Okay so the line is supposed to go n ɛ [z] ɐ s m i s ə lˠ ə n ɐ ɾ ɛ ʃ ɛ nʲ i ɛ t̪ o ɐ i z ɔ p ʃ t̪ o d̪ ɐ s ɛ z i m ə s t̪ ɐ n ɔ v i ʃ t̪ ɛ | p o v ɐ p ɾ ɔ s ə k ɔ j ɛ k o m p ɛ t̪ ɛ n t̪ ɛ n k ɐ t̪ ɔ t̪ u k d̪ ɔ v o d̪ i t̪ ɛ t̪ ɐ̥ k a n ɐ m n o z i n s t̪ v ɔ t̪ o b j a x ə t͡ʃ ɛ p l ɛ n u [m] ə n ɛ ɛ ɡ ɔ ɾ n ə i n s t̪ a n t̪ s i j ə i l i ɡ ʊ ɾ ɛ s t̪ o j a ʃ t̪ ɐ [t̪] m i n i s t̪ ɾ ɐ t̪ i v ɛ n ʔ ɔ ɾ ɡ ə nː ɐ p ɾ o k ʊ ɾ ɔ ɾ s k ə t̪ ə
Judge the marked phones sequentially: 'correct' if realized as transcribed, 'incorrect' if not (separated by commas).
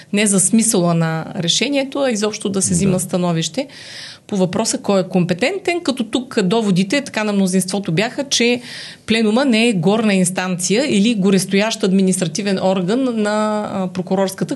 correct, correct, incorrect